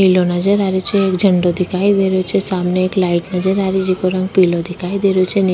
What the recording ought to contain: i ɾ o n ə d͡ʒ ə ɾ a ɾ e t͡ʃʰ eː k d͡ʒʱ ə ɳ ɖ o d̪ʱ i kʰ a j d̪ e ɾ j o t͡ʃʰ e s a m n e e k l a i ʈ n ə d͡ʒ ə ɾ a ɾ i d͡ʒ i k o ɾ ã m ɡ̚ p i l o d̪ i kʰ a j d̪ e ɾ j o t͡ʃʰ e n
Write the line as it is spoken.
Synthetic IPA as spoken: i l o n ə d͡ʒ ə ɾ a ɾ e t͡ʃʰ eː k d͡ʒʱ ə ɳ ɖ o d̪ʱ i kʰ a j d̪ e ɾ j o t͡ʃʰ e s a m n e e k l a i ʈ n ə d͡ʒ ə ɾ a ɾ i d͡ʒ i k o ɾ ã ŋ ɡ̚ p i l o d̪ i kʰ a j d̪ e ɾ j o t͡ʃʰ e n